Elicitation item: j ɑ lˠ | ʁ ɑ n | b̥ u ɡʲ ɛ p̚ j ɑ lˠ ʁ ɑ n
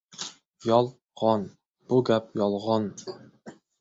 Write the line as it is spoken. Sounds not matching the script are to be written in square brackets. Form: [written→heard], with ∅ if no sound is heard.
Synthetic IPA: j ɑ lˠ | ʁ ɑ n | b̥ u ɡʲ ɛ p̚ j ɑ lˠ ʁ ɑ n